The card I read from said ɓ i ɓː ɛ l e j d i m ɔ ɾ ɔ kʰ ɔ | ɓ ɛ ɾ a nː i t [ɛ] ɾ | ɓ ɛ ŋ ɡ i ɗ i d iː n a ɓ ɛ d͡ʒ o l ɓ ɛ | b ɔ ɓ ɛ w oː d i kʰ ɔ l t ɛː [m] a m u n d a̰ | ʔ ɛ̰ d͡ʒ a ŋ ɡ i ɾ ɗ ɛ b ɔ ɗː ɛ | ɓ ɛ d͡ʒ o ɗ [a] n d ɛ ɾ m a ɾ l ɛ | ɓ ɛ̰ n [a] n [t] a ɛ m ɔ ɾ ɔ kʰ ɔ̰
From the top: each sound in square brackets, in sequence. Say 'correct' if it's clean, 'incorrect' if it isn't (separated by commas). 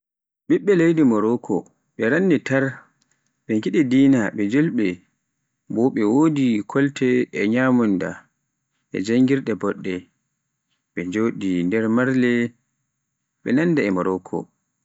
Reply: incorrect, incorrect, incorrect, correct, incorrect